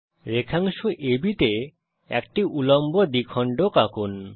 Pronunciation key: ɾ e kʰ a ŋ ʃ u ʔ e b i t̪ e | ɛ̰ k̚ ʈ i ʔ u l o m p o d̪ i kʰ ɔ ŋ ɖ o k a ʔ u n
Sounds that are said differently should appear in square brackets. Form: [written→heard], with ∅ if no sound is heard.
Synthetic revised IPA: ɾ e kʰ a ŋ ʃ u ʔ e b i t̪ e | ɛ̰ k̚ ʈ i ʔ u l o m [p→b] o d̪ i kʰ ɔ [ŋ→ɳ] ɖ o k a [ʔ→k] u n